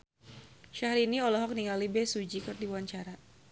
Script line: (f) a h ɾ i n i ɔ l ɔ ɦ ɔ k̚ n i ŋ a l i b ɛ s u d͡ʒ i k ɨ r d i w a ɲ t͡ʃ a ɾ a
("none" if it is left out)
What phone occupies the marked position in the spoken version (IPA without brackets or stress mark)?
ʃ